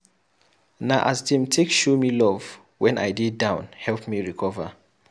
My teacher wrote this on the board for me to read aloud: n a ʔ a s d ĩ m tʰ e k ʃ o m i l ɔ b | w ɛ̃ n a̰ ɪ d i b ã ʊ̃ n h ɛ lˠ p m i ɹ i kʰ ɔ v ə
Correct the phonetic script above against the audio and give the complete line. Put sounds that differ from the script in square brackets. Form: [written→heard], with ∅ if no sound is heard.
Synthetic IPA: n a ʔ a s d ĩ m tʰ e k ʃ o m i l ɔ [b→v] | w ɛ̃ n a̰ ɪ d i [b→d] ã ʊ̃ n h ɛ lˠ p m i ɹ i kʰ ɔ v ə